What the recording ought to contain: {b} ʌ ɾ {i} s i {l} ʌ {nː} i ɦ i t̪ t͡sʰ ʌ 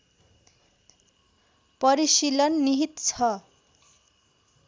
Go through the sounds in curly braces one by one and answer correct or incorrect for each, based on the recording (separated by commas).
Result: incorrect, correct, correct, correct